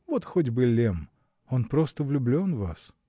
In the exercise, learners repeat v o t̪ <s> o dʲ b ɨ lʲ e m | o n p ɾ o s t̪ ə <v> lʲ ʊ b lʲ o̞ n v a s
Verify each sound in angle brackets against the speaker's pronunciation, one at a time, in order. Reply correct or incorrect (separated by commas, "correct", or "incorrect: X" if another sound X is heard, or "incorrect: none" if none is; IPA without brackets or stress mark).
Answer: incorrect: x, correct